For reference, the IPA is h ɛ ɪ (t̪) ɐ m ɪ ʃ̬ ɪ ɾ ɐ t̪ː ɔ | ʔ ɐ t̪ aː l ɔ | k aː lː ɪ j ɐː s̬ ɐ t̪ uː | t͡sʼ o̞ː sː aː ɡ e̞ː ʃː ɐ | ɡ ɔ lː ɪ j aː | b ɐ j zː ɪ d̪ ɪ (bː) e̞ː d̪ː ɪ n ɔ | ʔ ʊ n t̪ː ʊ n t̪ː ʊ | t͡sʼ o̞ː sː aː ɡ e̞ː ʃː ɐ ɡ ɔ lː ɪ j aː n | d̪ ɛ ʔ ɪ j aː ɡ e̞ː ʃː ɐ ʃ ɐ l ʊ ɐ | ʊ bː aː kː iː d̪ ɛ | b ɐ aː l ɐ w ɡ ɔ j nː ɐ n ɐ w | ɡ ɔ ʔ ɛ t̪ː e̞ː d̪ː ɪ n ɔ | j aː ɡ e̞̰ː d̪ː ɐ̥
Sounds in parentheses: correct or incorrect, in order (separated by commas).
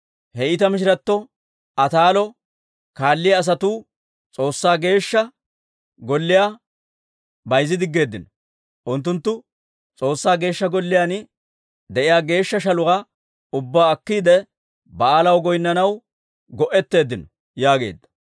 correct, incorrect